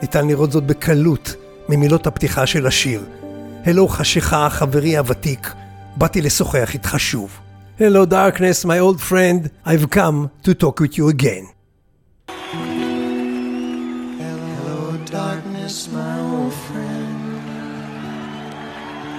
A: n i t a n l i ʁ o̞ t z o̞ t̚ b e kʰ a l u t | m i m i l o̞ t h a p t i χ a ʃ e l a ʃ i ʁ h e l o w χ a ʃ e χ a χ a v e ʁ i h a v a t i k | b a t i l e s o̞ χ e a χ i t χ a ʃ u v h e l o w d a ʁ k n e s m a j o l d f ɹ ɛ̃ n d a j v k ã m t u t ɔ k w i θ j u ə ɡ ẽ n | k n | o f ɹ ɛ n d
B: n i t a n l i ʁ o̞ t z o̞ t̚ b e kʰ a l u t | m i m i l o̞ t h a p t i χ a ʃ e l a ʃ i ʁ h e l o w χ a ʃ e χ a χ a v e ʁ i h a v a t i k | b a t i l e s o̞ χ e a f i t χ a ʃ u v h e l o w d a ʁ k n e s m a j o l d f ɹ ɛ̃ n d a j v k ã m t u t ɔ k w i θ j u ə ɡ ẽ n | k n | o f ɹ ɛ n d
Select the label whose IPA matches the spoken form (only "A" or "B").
A